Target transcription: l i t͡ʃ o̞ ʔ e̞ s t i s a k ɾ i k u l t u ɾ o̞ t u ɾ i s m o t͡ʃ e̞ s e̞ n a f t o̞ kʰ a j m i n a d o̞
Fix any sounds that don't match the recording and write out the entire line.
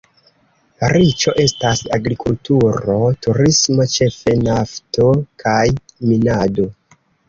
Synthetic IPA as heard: ɾ i t͡ʃ o̞ ʔ e̞ s t a s a ɡ ɾ i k u l t u ɾ o̞ t u ɾ i s m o t͡ʃ e̞ f e̞ n a f t o̞ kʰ a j m i n a d o̞